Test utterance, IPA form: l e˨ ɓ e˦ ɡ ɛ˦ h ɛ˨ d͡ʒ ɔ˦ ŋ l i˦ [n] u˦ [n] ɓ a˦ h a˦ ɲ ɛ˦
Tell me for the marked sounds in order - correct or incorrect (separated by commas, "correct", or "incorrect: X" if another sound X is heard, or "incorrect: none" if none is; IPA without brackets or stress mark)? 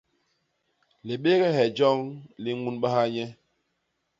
incorrect: ŋ, correct